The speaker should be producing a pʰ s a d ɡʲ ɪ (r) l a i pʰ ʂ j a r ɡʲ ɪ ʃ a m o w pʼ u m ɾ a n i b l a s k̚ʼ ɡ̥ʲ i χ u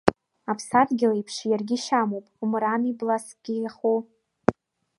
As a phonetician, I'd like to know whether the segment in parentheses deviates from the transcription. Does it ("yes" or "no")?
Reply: yes